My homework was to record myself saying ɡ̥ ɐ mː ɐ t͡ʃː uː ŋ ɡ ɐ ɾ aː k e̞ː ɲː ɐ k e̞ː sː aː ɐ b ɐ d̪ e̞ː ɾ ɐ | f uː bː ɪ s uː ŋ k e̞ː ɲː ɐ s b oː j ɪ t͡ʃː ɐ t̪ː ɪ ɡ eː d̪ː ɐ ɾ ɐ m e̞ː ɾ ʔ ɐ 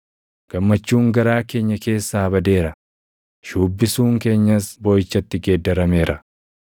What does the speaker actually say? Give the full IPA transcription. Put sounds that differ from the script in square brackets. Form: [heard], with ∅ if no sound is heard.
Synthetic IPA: ɡ̥ ɐ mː ɐ t͡ʃː uː ŋ ɡ ɐ ɾ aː k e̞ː ɲː ɐ k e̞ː sː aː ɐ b ɐ d̪ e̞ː ɾ ɐ | [ʃ] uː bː ɪ s uː ŋ k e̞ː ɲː ɐ s b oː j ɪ t͡ʃː ɐ t̪ː ɪ ɡ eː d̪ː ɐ ɾ ɐ m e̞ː ɾ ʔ ɐ